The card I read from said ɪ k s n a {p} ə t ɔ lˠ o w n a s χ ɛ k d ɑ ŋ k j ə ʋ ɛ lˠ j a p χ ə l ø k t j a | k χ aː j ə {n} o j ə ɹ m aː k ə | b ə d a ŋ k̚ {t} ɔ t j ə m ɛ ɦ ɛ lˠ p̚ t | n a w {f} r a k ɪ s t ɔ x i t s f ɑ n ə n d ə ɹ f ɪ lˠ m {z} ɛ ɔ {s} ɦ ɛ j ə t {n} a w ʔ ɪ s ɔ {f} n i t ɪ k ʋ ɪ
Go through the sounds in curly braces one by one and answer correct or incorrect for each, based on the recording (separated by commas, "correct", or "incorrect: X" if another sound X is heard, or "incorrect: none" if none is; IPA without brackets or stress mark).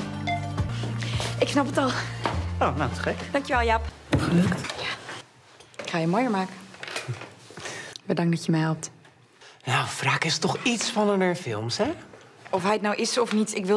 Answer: correct, incorrect: m, incorrect: d, correct, incorrect: s, incorrect: f, correct, correct